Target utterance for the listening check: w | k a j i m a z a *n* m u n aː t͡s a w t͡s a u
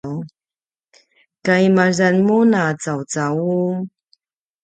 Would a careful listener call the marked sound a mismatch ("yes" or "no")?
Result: no